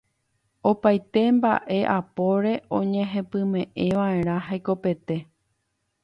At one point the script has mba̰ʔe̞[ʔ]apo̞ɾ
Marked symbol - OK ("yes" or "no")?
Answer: yes